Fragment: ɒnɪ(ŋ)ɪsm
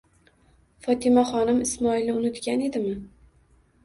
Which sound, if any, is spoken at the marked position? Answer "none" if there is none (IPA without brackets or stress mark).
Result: m